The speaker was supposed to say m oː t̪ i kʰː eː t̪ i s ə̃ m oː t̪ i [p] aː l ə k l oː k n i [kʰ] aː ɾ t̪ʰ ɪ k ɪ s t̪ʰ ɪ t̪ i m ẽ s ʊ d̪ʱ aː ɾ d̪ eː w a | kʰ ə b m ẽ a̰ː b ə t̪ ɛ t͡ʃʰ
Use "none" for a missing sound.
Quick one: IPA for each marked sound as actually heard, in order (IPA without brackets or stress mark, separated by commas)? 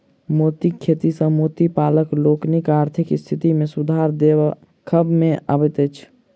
p, k